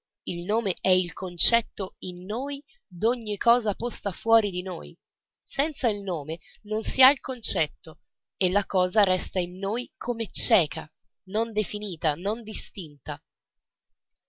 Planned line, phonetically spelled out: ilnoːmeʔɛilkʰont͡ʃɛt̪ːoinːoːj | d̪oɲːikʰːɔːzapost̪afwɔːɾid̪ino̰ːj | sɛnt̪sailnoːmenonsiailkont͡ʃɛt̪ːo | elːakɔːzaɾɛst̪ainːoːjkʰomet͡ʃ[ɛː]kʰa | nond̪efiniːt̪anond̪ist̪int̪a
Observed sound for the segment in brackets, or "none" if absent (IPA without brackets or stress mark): ɛː